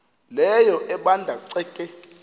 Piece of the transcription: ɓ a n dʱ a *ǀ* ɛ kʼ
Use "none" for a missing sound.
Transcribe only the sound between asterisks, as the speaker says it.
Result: ǀ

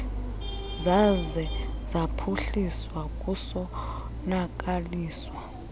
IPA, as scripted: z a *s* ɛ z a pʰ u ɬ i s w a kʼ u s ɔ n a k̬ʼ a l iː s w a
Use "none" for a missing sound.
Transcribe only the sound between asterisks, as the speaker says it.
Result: z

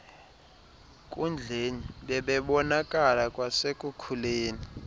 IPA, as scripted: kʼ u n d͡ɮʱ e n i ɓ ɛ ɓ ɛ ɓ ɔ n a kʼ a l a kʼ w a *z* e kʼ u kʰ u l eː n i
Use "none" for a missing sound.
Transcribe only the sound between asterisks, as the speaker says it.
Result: s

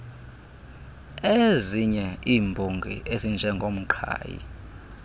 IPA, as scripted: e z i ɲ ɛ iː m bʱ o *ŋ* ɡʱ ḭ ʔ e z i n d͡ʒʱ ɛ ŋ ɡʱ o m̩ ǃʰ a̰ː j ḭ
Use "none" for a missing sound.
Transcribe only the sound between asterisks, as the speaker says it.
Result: ŋ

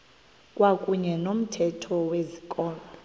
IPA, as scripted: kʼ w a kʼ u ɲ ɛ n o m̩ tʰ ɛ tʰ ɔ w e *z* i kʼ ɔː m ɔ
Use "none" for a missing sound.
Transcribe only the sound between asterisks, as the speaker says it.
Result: z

